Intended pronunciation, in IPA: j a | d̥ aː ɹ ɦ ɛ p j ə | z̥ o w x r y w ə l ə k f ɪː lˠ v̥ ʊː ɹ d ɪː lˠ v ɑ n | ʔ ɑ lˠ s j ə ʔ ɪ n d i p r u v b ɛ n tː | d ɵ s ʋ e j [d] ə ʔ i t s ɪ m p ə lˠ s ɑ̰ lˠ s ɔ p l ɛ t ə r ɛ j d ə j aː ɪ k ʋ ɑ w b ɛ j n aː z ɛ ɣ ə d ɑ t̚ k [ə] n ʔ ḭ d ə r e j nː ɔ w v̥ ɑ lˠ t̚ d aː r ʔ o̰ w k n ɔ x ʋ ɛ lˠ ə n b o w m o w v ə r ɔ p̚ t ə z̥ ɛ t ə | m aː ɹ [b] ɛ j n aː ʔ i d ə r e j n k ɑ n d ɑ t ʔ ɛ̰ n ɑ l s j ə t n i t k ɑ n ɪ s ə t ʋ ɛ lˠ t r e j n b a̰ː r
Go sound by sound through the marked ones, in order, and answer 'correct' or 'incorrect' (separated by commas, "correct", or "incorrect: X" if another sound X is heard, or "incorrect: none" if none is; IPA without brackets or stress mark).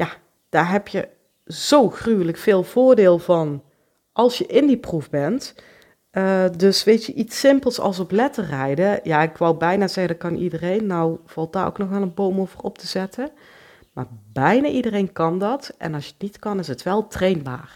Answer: incorrect: t, incorrect: ɑ, correct